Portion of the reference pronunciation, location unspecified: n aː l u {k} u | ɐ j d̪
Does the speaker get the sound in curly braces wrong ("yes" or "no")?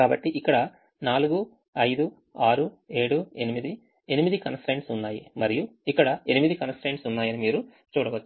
yes